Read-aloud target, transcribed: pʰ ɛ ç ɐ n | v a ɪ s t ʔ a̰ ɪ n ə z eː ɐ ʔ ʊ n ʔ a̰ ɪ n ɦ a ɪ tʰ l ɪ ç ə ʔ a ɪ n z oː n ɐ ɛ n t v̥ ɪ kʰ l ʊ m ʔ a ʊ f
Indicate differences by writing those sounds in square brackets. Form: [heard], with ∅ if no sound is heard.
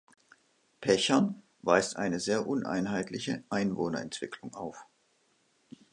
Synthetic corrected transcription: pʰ ɛ ç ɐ n | v a ɪ s t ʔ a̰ ɪ n ə z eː ɐ ʔ ʊ n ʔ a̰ ɪ n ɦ a ɪ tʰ l ɪ ç ə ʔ a ɪ n [v] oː n ɐ ɛ n t v̥ ɪ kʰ l ʊ [ŋ] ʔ a ʊ f